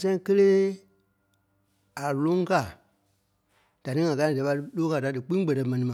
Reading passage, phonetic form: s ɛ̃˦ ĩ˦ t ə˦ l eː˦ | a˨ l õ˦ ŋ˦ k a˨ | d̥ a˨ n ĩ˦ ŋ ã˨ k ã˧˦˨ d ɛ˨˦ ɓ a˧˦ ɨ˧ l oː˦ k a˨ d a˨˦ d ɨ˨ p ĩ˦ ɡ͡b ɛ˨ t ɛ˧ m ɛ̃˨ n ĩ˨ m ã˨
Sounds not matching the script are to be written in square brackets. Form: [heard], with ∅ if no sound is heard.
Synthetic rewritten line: s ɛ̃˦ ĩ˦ [k] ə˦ l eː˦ | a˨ l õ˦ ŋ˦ k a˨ | d̥ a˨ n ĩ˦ ŋ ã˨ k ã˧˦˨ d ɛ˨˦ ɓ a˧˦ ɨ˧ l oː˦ k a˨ d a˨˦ d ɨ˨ [k͡p] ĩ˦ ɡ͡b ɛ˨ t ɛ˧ m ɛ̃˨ n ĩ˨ m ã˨